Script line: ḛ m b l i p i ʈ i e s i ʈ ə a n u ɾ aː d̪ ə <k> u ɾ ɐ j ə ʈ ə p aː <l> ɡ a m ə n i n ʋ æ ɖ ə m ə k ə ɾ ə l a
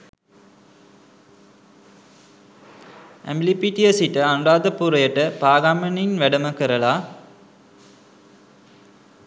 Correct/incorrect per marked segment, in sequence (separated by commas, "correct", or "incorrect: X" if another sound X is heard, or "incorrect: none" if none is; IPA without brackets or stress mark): incorrect: p, incorrect: none